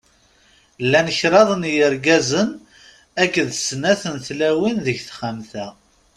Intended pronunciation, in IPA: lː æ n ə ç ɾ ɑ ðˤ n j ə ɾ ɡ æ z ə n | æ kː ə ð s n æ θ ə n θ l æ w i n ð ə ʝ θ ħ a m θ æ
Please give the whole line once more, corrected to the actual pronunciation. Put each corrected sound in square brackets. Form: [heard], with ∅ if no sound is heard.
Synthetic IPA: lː æ n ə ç ɾ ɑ ðˤ n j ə ɾ ɡ æ z ə n | æ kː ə ð s n æ θ ə n θ l æ w i n ð ə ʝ θ [χ] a m θ æ